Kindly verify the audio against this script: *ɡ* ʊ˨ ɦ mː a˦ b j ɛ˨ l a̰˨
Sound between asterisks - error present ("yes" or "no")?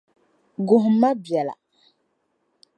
no